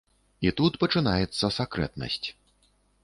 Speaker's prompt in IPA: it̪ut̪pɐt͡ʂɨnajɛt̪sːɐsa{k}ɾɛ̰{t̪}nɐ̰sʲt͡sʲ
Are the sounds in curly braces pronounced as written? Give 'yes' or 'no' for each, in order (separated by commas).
yes, yes